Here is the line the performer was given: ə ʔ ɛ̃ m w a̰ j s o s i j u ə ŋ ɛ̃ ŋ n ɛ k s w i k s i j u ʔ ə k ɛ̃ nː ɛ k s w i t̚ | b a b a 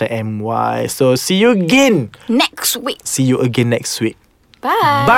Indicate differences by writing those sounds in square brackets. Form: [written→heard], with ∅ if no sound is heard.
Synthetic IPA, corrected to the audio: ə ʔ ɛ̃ m w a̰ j s o s i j u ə [ŋ→ɡ] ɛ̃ [ŋ→n] n ɛ k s w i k s i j u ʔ ə [k→ɡ] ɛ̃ nː ɛ k s w i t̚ | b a b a